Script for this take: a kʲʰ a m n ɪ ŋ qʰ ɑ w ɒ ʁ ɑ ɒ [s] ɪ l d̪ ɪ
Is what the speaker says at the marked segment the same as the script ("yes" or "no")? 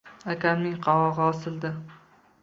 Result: yes